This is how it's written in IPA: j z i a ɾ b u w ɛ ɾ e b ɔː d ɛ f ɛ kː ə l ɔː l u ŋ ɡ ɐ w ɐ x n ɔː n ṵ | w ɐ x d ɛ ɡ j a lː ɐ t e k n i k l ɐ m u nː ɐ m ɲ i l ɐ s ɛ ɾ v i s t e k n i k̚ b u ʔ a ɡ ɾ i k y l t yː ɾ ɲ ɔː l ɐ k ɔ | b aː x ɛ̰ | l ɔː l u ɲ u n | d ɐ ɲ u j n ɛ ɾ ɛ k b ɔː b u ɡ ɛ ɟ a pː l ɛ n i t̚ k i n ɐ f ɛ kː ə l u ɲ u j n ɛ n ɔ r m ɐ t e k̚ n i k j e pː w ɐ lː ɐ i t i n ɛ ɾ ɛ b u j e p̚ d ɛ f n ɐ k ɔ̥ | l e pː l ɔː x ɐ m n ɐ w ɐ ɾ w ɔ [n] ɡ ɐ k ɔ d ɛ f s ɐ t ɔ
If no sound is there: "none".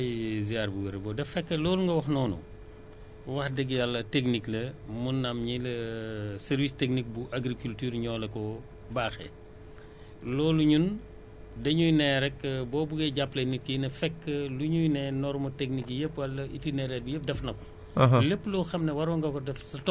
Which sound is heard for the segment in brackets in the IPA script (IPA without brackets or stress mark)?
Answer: ŋ